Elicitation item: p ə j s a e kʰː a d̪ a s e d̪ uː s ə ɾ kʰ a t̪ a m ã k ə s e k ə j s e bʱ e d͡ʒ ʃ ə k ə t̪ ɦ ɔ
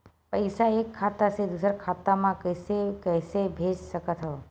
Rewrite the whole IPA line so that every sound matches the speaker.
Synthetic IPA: p ə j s a e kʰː a t̪ a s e d̪ u s ə ɾ kʰ a t̪ a m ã k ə s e k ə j s e bʱ e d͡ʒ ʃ ə k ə t̪ ɦ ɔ